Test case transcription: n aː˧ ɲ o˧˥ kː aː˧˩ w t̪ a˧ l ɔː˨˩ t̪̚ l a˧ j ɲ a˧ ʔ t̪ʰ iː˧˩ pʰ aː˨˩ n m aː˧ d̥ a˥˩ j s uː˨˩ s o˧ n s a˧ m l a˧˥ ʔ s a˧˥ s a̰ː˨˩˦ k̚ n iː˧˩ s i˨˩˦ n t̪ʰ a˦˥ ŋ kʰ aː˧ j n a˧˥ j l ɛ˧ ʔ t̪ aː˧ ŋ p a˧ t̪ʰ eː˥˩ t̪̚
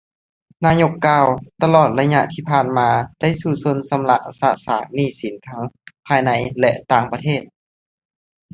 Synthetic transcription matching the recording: n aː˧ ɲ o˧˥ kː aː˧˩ w t̪ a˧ l ɔː˨˩ t̪̚ l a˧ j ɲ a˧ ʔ t̪ʰ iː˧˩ pʰ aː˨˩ n m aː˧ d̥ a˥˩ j s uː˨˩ s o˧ n s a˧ m l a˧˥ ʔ s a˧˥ s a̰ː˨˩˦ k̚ n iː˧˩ s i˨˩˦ n t̪ʰ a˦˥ ŋ pʰ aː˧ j n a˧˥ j l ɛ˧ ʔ t̪ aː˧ ŋ p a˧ t̪ʰ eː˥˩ t̪̚